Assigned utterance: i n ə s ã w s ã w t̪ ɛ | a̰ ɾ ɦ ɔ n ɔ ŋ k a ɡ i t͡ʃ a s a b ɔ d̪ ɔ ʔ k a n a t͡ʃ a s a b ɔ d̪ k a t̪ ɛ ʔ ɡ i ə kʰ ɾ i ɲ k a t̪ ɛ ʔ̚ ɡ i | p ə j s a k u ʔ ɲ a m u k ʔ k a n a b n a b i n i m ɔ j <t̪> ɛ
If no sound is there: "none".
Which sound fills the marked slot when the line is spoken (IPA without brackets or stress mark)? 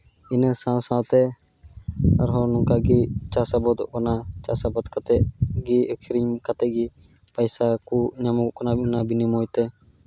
t̪